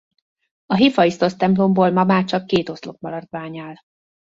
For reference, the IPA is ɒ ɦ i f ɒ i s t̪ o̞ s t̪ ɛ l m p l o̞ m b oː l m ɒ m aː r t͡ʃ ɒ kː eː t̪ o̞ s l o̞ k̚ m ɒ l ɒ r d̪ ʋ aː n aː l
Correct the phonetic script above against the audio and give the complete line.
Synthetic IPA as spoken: ɒ ɦ i f ɒ i s t̪ o̞ s t̪ ɛ m p l o̞ m b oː l m ɒ m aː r t͡ʃ ɒ kː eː t̪ o̞ s l o̞ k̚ m ɒ l ɒ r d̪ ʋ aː ɲ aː l